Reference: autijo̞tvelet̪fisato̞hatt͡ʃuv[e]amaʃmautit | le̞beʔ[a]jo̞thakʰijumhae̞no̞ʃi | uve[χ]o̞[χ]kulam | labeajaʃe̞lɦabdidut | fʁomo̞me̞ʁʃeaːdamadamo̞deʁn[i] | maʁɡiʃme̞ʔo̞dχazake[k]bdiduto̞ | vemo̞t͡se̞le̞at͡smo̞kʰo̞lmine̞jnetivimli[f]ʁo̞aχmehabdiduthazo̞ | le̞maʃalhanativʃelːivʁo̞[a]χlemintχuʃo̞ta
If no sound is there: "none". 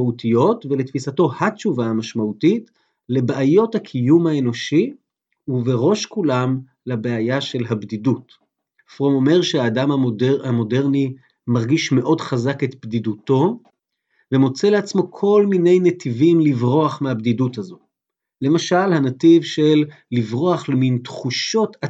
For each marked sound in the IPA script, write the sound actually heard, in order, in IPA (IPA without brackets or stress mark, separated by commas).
a, a, ʁ, ʃ, i, t, v, a